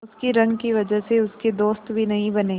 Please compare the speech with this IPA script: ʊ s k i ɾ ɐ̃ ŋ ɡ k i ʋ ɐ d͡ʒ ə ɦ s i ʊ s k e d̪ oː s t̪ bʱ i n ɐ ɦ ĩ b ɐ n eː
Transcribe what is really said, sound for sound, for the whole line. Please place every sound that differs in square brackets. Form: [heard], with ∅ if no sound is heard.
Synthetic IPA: ʊ s k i ɾ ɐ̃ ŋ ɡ k i ʋ ɐ d͡ʒ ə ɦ s [e] ʊ s k e d̪ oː s t̪ bʱ i n ɐ ɦ ĩ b ɐ n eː